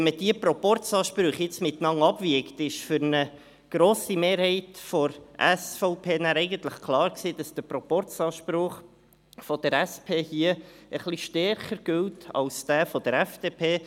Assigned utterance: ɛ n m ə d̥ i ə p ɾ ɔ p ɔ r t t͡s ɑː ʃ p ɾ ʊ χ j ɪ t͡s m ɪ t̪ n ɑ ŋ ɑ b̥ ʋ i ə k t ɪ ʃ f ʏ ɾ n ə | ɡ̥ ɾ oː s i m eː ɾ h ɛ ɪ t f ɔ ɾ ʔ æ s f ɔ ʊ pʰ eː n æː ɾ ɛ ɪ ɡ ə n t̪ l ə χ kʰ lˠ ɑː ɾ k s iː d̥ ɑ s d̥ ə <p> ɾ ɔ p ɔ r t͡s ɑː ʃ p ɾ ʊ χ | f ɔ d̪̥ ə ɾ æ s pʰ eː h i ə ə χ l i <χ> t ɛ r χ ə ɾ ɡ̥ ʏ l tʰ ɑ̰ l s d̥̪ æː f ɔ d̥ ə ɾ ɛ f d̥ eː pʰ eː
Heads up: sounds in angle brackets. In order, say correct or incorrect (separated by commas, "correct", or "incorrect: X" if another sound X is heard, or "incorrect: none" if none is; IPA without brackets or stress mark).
correct, incorrect: ʃ